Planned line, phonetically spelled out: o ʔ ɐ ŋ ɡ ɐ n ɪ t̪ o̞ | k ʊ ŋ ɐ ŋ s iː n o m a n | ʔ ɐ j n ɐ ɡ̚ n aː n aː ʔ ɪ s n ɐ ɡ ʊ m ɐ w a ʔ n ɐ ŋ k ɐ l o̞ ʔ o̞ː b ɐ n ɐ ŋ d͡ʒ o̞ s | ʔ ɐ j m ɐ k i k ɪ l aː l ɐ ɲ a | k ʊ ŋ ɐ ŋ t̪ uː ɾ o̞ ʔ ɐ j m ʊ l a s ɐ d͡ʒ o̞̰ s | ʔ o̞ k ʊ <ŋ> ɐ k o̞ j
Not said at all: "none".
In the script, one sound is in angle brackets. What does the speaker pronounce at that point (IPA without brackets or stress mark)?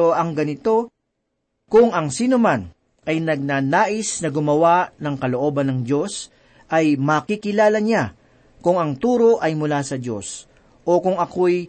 ŋ